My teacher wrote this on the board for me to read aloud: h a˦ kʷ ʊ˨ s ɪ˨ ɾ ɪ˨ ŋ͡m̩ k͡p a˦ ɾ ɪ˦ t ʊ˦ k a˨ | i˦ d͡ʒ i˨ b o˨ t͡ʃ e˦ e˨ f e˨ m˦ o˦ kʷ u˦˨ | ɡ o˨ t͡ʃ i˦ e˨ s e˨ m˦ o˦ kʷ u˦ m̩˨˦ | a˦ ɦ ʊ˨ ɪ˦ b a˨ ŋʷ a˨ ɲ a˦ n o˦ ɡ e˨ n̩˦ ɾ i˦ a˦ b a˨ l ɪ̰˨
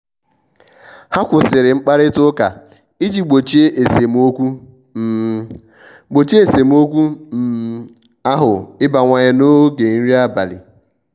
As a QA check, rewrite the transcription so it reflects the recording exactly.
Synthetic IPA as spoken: h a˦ kʷ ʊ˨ s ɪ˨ ɾ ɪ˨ ŋ͡m̩ k͡p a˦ ɾ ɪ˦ t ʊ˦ k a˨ | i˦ d͡ʒ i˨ ɡ͡b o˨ t͡ʃ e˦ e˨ s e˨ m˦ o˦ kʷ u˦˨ | ɡ͡b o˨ t͡ʃ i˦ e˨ s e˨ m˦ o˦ kʷ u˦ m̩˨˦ | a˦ ɦ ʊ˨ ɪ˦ b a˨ ŋʷ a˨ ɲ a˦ n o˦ ɡ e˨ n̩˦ ɾ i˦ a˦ b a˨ l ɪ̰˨